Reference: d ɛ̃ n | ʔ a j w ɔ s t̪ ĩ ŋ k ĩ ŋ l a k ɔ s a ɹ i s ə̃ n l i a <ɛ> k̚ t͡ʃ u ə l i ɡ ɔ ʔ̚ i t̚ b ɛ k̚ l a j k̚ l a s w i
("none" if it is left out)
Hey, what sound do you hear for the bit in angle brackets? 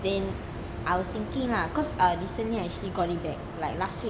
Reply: ɛ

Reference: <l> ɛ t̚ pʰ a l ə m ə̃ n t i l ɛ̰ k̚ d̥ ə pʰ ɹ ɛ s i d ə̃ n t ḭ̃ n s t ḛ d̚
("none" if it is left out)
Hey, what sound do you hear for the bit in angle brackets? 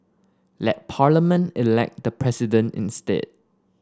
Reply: l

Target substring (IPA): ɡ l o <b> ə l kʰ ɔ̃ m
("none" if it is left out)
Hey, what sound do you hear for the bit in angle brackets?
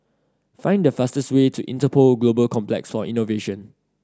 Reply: b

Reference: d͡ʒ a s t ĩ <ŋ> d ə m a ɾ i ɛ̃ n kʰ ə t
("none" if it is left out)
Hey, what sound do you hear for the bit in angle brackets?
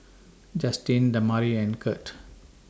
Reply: n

